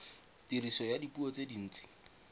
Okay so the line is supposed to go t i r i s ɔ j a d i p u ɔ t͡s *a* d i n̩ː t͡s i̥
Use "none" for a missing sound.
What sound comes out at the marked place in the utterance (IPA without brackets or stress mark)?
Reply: e